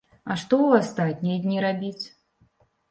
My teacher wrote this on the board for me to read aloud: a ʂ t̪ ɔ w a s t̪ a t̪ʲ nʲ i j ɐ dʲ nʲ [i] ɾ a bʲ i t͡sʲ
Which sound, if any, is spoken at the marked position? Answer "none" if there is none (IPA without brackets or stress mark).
i